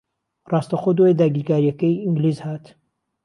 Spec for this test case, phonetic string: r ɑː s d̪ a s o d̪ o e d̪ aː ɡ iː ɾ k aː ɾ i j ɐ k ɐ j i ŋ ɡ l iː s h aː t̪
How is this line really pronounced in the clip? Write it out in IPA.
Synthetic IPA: r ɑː s t̪ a x o d̪ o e d̪ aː ɡ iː ɾ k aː ɾ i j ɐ k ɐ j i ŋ ɡ l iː z h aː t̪